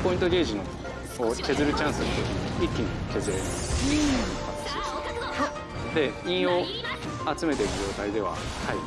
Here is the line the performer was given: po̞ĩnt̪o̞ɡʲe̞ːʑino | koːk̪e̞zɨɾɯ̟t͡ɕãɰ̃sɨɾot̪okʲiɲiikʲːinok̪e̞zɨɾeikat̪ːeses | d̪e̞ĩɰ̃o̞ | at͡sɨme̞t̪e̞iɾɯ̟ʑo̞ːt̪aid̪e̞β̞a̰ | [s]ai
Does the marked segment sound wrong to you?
yes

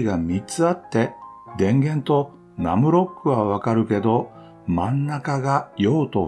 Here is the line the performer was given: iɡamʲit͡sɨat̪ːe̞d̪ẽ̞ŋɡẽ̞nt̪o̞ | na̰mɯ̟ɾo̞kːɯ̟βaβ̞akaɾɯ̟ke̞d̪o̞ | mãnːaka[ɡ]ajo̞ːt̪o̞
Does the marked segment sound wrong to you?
no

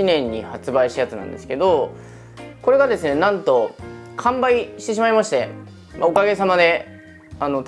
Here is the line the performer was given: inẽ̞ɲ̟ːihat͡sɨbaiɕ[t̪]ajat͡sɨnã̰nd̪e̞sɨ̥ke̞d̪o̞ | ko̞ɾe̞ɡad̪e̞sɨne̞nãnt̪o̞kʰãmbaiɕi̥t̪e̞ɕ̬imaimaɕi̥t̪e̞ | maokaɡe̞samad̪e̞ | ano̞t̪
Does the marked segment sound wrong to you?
no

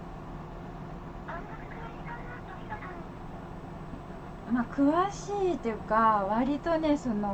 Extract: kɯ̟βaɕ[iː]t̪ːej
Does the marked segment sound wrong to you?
no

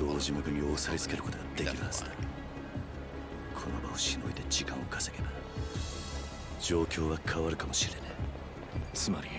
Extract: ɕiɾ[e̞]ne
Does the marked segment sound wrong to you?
no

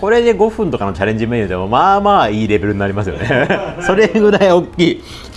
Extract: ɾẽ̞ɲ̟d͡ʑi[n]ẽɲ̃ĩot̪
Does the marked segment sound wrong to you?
yes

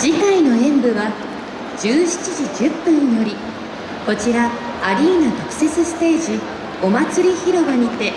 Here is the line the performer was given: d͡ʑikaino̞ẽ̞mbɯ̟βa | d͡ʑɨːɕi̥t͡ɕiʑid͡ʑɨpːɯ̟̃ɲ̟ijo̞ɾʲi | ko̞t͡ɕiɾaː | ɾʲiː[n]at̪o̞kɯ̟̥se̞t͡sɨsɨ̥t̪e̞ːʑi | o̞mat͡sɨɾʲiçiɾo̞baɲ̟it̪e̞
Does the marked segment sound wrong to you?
no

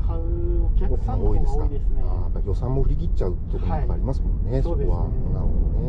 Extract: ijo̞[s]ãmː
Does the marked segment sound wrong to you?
no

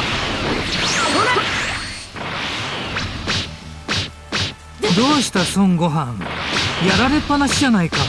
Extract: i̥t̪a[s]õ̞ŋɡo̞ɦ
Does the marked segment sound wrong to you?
no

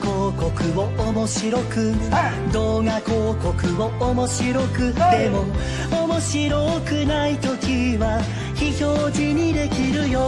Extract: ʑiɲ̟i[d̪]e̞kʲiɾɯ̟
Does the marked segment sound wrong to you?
no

